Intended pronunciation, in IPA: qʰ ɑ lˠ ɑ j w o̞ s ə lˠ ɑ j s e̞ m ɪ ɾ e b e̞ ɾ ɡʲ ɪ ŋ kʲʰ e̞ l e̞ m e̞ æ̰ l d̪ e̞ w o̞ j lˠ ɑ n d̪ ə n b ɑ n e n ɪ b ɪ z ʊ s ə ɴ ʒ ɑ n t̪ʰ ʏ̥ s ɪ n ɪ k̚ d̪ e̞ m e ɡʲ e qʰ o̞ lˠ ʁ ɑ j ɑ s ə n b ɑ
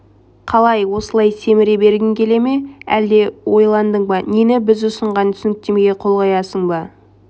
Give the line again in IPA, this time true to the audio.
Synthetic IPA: qʰ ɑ lˠ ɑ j w o̞ s ə lˠ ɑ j s e̞ m ɪ ɾ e b e̞ ɾ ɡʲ ɪ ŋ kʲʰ e̞ l e̞ m e̞ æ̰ l d̪ e̞ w o̞ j lˠ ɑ n d̪ ə ɴ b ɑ n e n ɪ b ɪ z ʊ s ə ɴ ʁ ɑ n t̪ʰ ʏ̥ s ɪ n ɪ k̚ t̪ e̞ m e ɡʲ e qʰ o̞ lˠ ʁ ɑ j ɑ s ə ɴ b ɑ

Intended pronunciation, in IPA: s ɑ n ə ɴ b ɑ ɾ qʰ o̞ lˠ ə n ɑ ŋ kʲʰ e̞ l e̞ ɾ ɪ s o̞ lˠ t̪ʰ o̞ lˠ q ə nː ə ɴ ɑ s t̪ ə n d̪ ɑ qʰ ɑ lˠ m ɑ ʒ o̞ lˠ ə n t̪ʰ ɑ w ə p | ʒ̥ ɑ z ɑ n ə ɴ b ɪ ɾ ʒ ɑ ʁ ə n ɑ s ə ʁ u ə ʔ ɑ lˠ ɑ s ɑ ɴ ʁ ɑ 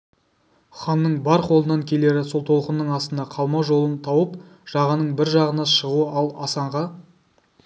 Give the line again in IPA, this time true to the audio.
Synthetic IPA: χ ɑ nː ə ɴ b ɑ ɾ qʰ o̞ lˠ ə n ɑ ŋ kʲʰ e̞ l e̞ ɾ ɪ s o̞ lˠ t̪ʰ o̞ lˠ q ə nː ə ɴ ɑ s t̪ ə n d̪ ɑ qʰ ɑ lˠ m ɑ ʒ o̞ lˠ ə n t̪ʰ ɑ w ə p | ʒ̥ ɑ ʁ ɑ n ə ɴ b ɪ ɾ ʒ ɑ ʁ ə n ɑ ʃ ə ʁ u ə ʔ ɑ lˠ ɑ s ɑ ɴ ʁ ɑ

